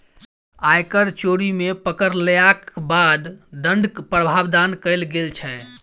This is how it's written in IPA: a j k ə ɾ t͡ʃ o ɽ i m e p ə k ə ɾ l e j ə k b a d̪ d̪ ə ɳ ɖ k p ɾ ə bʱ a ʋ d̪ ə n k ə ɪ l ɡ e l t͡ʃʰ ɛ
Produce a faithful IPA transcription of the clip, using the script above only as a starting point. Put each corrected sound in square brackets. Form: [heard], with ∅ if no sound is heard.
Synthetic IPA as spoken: a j k ə ɾ t͡ʃ o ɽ i m e p ə k ə ɾ l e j [a] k b a d̪ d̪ ə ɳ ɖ k p ɾ ə bʱ a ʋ d̪ [a] n k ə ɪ l ɡ e l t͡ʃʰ ɛ